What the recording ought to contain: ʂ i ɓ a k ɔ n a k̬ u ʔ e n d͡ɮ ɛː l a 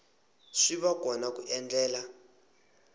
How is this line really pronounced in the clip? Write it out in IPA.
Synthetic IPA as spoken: ʂ i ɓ a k ɔ n a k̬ u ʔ ɛ n d͡ɮ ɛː l a

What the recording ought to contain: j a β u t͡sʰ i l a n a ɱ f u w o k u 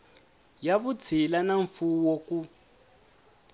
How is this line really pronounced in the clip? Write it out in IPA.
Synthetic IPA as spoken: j a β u t͡sʰ i l a n a ɱ f u w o k u

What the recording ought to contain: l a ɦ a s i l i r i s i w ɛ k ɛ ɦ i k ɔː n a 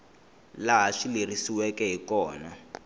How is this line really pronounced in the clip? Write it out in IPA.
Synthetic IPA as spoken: l a ɦ a ʂ i l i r i s i w ɛ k ɛ ɦ i k ɔː n a

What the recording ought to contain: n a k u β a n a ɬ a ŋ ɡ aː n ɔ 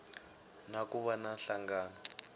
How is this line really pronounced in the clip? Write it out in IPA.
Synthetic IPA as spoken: n a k u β a n a ɬ a ŋ ɡ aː n ɔ

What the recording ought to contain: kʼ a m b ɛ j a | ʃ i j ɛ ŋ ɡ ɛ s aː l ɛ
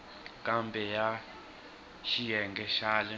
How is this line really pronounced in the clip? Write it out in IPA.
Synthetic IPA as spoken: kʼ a m b ɛ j a | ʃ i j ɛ ŋ ɡ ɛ ʃ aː l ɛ

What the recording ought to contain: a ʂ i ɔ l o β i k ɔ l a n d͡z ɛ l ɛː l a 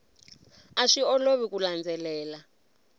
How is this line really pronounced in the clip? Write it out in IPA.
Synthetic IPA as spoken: a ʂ i ɔ l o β i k u l a n d͡z ɛ l ɛː l a

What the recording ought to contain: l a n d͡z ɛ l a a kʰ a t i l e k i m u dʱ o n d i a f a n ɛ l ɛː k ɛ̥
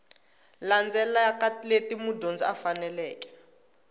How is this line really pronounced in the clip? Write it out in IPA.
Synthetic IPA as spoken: l a n d͡z ɛ l a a k a t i l e t i m u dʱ o n d͡z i a f a n ɛ l ɛː k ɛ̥

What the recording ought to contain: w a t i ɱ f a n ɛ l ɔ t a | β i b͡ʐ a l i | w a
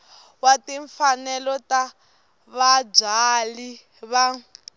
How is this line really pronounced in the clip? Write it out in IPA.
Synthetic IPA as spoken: w a t i ɱ f a n ɛ l ɔ t a | β a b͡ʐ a l i | β a

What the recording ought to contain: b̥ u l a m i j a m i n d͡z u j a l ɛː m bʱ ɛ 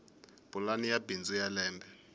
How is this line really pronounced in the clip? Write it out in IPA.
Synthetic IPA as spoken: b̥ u l a n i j a b i n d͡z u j a l ɛː m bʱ ɛ

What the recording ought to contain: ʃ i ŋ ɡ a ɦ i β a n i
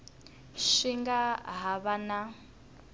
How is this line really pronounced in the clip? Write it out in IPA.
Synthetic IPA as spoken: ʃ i ŋ ɡ a ɦ a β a n a

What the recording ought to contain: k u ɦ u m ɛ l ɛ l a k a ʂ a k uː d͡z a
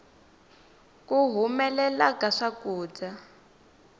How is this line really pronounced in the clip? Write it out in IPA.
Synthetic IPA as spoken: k u ɦ u m ɛ l ɛ l a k a ʂ a k uː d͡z a

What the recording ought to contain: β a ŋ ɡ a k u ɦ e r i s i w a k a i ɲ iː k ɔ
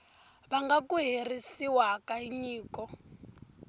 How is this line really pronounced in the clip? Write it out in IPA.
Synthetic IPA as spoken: β a ŋ ɡ a k u ɦ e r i s i w a k a i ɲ iː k ɔ

